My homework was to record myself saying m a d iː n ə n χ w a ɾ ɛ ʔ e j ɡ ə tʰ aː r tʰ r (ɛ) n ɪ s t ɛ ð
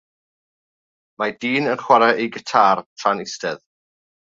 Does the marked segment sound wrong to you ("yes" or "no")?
yes